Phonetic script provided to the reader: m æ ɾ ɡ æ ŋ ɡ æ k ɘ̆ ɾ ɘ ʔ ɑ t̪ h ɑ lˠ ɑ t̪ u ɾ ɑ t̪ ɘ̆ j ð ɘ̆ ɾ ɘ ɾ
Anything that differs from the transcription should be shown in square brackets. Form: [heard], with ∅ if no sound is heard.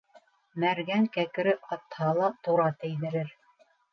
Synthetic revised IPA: m æ ɾ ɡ æ ŋ [k] æ k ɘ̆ ɾ ɘ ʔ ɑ t̪ h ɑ lˠ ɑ t̪ u ɾ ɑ t̪ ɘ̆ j ð ɘ̆ ɾ ɘ ɾ